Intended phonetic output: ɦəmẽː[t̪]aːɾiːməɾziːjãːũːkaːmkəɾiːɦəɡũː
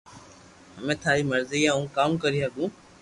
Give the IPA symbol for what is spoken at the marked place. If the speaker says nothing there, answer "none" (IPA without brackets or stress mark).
t̪ʰ